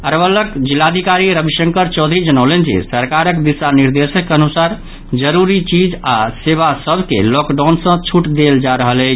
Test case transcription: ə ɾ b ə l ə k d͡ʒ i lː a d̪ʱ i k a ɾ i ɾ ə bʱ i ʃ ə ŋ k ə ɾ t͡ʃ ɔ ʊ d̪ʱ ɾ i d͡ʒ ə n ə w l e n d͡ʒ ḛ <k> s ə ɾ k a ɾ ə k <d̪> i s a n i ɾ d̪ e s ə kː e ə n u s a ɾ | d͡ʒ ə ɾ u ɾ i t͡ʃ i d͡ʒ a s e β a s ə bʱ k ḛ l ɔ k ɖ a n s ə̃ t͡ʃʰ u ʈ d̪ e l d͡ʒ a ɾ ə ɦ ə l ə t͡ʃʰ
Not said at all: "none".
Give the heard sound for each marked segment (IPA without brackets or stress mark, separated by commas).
none, d̪